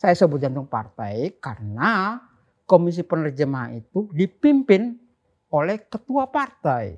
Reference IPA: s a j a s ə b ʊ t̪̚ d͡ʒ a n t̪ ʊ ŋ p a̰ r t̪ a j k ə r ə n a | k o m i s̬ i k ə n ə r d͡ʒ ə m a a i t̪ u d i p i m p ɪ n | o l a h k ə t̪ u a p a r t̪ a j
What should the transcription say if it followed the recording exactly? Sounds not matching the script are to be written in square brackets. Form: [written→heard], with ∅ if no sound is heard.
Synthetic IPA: s a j a s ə b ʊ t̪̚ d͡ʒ a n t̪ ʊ ŋ p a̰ r t̪ a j k [ə→a] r ə n a | k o m i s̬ i [k→p] ə n ə r d͡ʒ ə m a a i t̪ u d i p i m p ɪ n | o l [a→ɛ] h k ə t̪ u a p a r t̪ a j